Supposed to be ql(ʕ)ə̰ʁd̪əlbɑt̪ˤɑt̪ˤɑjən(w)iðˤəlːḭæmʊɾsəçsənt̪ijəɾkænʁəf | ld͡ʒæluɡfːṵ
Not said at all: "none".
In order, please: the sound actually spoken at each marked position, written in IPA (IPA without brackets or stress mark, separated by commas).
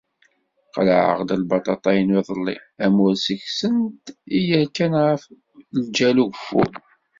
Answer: ʕ, w